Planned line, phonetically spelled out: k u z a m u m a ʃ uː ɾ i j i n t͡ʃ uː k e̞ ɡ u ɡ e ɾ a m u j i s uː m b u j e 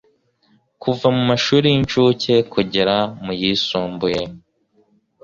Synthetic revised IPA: k u v a m u m a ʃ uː ɾ i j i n t͡ʃ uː c e̞ k u ɟ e ɾ a m u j i s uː m b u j e